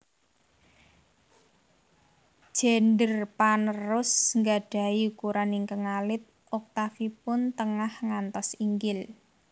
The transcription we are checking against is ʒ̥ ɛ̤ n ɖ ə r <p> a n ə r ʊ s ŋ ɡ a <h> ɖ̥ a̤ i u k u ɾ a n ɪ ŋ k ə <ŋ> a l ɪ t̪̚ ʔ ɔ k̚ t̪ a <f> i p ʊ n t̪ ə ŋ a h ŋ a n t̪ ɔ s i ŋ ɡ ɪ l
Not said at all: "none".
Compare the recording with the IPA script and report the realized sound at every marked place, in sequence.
p, none, ŋ, f

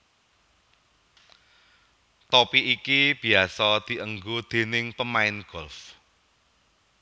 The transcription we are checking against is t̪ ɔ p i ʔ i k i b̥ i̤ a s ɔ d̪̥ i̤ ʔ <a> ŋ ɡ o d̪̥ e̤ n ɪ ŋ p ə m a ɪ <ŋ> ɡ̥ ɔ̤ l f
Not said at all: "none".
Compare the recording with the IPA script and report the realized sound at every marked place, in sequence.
ə, n

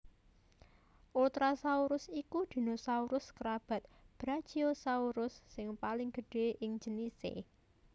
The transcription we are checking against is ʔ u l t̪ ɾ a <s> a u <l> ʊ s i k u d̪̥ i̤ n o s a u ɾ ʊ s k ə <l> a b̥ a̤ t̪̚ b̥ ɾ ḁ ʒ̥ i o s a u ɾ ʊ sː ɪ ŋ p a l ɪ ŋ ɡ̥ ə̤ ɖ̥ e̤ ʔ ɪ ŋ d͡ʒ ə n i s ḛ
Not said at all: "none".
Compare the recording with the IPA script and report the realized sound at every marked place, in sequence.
s, ɾ, ɾ

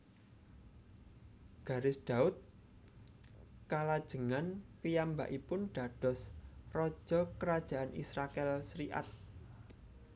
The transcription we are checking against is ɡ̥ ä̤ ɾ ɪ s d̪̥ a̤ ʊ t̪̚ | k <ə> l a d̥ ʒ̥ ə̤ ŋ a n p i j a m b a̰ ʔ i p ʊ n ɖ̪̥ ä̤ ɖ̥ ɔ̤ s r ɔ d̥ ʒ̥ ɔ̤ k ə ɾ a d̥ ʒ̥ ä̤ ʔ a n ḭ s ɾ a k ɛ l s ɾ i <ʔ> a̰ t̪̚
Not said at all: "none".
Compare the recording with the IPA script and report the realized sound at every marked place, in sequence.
a, ʔ

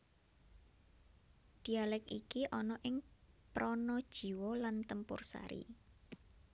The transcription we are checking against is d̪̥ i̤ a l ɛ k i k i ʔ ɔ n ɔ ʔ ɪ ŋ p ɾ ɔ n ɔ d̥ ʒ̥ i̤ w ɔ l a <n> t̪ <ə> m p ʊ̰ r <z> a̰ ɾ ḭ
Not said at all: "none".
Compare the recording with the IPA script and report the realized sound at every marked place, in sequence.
n, ə, s

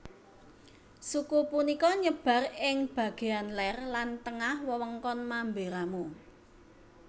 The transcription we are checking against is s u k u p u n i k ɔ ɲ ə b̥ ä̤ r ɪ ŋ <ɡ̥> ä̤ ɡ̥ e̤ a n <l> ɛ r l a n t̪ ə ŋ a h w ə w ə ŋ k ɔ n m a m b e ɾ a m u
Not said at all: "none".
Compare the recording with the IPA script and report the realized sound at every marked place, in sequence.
b̥, l

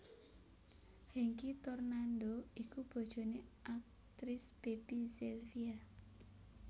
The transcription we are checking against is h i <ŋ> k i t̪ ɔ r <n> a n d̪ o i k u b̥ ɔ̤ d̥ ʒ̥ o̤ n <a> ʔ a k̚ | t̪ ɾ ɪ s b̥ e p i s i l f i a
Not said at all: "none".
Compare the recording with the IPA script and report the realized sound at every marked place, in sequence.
ŋ, n, e

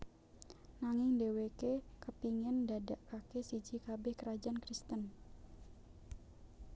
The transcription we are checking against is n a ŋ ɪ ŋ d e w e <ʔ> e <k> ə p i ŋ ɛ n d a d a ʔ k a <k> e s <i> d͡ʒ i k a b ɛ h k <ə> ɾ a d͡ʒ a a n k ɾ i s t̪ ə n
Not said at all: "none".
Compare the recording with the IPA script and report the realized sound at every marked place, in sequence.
k, k, k, i, ə

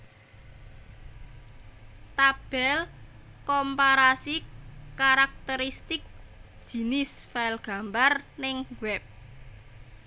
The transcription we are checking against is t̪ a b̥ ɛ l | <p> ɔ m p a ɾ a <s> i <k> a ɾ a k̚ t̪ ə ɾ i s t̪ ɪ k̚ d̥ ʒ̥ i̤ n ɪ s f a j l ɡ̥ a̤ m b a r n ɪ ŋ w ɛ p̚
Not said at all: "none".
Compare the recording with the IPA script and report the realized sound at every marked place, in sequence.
k, s, k

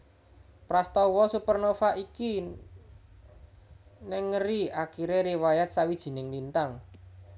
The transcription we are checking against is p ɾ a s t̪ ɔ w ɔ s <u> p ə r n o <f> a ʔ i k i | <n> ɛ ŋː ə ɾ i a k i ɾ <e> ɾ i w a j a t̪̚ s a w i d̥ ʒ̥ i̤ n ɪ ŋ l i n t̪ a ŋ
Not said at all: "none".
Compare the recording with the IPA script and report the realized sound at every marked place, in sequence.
u, f, n, e

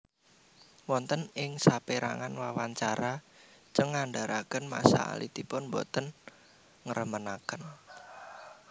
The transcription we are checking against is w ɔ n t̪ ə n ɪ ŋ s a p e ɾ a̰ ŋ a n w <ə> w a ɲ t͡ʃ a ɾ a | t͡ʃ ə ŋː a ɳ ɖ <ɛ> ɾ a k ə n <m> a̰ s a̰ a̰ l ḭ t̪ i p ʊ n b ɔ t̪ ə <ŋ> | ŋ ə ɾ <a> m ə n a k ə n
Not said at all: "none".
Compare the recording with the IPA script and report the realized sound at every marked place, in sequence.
a, a, m, n, ə

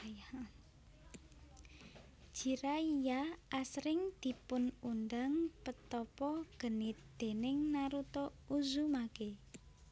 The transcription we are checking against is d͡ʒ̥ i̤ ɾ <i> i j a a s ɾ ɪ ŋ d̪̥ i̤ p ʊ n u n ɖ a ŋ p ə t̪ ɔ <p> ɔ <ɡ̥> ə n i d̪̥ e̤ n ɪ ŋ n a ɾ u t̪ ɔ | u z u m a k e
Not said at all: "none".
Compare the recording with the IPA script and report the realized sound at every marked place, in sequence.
a, p, ɡ̥

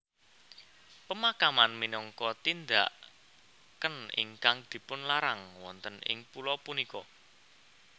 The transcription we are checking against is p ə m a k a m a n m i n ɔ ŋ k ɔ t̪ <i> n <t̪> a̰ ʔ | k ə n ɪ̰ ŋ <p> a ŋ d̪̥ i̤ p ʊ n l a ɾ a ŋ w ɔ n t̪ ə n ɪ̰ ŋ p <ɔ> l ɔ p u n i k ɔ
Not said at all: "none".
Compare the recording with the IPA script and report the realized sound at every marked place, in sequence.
i, d̪, k, u

